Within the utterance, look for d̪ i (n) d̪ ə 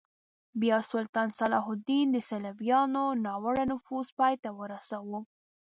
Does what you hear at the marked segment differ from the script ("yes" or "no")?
no